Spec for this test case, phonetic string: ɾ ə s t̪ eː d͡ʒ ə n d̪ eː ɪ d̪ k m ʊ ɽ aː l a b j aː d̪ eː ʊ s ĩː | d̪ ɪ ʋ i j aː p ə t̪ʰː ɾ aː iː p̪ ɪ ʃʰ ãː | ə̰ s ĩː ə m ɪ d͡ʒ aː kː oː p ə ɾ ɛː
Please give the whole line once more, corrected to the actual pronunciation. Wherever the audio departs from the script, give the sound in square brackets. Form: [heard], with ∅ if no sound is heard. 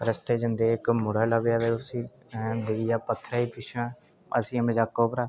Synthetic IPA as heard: ɾ ə s t̪ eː d͡ʒ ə n d̪ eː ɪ [∅] k m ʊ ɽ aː l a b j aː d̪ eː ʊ s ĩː | d̪ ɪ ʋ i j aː p ə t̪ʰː ɾ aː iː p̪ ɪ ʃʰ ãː | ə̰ s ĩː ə m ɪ d͡ʒ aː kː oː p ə ɾ [aː]

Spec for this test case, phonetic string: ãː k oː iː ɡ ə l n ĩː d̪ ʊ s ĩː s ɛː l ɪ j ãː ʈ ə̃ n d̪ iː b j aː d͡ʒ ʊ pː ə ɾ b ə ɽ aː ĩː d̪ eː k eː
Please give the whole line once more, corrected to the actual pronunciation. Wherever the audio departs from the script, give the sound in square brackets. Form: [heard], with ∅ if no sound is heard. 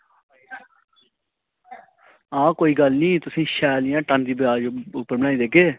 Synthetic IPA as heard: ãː k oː iː ɡ ə l n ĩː [t̪] ʊ s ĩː [ʃ] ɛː l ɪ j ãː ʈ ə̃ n d̪ iː b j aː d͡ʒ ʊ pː ə ɾ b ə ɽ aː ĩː d̪ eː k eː

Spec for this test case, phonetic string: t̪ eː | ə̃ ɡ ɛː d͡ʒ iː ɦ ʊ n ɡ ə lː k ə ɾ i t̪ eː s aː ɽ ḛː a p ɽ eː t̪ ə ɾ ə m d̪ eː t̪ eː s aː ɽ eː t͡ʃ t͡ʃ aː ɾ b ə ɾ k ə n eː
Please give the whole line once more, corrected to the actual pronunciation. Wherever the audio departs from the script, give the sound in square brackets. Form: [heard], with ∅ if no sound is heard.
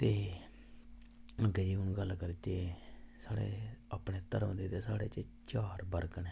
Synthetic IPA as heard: t̪ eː | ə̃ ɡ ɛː d͡ʒ iː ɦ ʊ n ɡ ə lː k ə ɾ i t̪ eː s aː ɽ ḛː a p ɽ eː t̪ ə ɾ ə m d̪ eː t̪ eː s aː ɽ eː t͡ʃ t͡ʃ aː ɾ b ə ɾ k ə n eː

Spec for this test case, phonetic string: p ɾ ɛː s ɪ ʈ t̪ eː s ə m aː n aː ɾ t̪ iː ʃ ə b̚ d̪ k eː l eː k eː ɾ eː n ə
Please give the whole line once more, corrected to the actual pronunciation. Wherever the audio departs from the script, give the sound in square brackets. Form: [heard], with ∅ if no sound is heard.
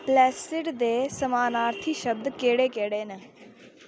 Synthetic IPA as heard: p [l] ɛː s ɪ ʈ [d̪] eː s ə m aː n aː ɾ [t̪ʰ] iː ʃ ə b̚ d̪ k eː [ɽ] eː k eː [ɽ] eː n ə

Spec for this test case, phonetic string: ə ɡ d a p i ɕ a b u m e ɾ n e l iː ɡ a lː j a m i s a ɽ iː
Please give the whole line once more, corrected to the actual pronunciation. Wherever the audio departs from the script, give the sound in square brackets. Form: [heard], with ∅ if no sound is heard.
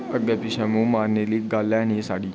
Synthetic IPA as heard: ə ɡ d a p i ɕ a [m] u m [a] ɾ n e l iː ɡ a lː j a [n] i s a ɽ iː

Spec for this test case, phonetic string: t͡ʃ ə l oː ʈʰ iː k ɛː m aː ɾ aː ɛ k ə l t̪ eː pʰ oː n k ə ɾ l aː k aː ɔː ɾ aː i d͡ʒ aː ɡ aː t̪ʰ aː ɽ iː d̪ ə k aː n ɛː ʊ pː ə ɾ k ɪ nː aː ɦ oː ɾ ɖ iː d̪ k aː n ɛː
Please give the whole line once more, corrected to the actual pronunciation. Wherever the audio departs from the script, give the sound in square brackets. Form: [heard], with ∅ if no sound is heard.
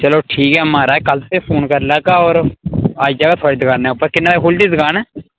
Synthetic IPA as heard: t͡ʃ ə l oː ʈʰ iː k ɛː m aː ɾ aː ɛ k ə l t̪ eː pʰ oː n k ə ɾ l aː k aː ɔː ɾ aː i d͡ʒ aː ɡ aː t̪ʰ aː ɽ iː d̪ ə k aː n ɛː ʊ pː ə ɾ k ɪ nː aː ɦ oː [l] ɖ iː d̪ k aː n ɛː

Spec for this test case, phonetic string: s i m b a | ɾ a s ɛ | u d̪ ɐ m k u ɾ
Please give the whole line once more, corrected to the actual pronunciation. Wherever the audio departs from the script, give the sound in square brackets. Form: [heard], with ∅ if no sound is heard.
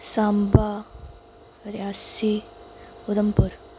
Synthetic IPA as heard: s [a] m b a | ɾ a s [i] | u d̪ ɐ m [p] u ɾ

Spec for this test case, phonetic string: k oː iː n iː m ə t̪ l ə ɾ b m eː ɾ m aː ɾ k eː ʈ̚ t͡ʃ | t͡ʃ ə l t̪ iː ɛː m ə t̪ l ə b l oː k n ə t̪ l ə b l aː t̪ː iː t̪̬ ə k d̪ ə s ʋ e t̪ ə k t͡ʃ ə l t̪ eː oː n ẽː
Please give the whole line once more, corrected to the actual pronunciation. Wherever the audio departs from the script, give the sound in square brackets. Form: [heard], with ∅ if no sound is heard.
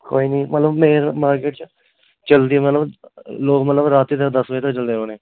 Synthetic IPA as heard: k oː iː n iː m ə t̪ l ə [∅] b m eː ɾ m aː ɾ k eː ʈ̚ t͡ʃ | t͡ʃ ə l [d̪] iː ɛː m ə t̪ l ə b l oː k [m] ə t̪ l ə b [ɾ] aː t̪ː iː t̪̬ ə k d̪ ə s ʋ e t̪ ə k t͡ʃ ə l [d̪] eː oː n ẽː

